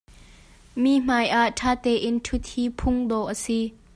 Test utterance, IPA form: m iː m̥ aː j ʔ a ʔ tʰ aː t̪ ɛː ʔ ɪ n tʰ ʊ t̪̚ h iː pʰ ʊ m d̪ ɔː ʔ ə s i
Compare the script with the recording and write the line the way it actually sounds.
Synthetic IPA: m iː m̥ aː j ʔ a ʔ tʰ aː t̪ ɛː ʔ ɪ n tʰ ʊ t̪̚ h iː pʰ ʊ ŋ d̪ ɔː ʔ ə s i

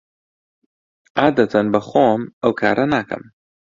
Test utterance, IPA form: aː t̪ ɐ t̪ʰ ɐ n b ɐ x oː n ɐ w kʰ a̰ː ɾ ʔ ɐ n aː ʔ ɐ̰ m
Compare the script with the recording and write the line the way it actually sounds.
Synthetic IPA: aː d̪ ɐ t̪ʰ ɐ n b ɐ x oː m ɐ w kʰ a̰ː ɾ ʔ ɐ n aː k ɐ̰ m

